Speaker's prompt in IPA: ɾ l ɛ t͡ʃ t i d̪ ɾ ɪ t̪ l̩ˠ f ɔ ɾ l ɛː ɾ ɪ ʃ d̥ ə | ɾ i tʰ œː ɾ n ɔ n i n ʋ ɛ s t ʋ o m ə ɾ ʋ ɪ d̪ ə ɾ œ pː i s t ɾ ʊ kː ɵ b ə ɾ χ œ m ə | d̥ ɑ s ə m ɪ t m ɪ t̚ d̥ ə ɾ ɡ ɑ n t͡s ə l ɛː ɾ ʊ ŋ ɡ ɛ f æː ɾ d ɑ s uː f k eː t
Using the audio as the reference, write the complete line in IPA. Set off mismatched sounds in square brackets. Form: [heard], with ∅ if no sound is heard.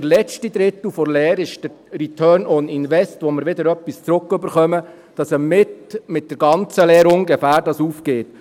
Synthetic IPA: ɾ l ɛ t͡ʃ t i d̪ ɾ ɪ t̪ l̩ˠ f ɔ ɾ l ɛː ɾ ɪ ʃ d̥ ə | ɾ i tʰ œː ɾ n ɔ n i n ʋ ɛ s t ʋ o m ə ɾ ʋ ɪ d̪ ə ɾ œ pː i s [t͡s] ɾ ʊ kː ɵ b ə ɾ χ œ m ə | d̥ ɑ s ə m ɪ t m ɪ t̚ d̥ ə ɾ ɡ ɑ n t͡s ə l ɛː ɾ ʊ ŋ ɡ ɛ f æː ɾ d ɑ s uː f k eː t